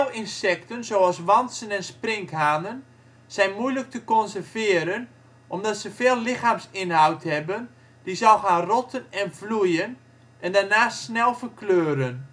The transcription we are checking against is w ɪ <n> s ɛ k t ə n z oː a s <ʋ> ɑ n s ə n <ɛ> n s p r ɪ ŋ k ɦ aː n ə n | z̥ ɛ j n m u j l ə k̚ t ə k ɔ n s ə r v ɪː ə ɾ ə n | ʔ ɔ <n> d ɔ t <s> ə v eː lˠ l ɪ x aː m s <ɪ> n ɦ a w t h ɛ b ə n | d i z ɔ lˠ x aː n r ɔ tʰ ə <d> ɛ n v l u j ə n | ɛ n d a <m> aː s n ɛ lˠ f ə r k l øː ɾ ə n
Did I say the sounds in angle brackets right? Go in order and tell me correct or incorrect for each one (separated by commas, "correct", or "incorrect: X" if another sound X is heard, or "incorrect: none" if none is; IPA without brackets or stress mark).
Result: correct, correct, correct, incorrect: m, correct, correct, incorrect: n, incorrect: n